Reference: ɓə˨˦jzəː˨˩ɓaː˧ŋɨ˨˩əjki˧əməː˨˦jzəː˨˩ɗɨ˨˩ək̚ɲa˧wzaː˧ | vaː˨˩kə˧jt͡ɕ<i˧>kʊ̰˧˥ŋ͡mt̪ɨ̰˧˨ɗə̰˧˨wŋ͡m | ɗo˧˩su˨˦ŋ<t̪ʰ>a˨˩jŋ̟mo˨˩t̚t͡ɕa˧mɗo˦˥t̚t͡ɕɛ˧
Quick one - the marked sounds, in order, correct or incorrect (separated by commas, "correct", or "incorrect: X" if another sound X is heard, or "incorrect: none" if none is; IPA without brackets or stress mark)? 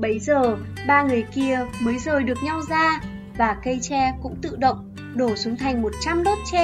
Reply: incorrect: ɛ˧, correct